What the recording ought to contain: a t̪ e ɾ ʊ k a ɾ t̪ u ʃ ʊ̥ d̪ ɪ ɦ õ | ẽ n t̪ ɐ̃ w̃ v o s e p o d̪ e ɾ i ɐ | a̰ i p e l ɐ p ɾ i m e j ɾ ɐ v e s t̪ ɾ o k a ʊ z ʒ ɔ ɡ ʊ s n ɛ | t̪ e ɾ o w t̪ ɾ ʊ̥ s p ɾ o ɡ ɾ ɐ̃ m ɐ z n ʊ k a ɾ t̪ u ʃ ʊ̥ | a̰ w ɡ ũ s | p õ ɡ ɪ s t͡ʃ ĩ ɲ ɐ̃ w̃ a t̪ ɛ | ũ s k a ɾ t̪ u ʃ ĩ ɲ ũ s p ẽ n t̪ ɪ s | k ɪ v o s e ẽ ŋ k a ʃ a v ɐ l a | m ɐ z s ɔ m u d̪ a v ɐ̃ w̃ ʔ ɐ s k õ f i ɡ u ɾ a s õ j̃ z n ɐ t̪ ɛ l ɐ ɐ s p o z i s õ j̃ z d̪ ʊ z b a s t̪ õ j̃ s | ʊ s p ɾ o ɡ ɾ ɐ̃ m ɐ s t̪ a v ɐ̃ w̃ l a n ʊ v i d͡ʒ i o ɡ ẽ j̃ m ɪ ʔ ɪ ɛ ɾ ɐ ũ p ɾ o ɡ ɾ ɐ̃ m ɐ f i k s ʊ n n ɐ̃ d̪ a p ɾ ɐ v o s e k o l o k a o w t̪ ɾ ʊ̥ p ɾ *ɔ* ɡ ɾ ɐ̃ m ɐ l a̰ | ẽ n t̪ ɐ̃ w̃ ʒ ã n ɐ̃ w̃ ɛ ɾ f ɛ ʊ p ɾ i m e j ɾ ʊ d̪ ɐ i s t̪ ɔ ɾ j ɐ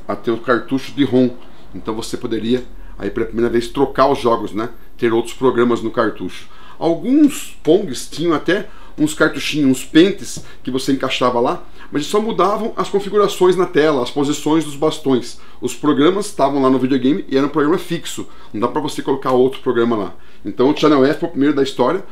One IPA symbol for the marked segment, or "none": o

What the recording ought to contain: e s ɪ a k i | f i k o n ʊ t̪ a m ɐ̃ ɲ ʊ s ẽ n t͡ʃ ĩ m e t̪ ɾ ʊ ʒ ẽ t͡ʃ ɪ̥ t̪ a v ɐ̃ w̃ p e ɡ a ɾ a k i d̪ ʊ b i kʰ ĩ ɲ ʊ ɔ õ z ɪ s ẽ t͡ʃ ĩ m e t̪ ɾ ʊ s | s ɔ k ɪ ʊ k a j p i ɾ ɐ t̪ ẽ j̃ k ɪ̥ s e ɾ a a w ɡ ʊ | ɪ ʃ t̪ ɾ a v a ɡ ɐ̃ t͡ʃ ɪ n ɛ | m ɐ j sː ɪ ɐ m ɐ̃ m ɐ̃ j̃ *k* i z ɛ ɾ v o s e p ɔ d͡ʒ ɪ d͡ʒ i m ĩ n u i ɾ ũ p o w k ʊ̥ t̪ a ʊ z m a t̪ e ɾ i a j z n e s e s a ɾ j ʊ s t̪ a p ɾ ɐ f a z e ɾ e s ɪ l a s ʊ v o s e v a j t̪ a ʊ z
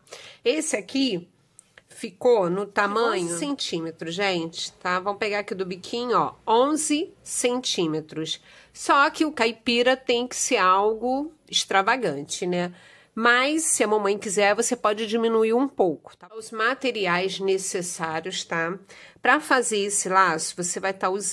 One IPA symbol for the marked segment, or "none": k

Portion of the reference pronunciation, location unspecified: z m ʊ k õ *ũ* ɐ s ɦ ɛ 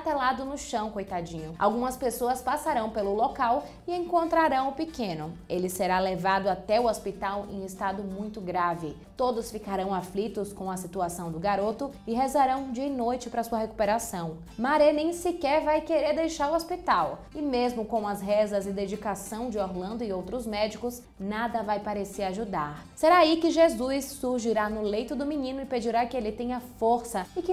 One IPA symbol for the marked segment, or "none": w̃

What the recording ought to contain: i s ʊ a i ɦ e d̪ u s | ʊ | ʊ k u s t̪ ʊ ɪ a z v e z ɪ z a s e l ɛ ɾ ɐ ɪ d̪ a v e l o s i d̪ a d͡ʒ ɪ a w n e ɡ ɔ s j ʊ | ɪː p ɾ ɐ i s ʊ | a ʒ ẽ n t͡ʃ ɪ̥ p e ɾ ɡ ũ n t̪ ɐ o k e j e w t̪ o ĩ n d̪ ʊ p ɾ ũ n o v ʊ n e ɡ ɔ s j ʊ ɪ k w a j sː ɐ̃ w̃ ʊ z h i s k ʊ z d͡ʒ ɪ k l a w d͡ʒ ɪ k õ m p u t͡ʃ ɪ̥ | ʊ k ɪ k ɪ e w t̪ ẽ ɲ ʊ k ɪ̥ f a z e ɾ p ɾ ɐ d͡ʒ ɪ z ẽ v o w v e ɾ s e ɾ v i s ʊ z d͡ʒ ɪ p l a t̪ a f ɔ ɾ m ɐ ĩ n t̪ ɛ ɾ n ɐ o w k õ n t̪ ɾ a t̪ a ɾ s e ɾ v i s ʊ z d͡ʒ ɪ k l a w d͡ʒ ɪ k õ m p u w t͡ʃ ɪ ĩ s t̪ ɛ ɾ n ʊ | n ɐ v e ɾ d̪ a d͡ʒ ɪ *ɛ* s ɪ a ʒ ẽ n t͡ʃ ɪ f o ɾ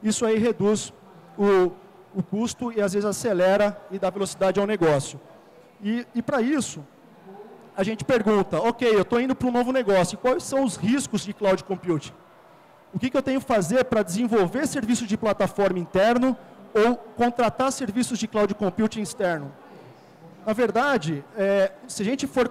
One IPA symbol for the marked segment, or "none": ɛ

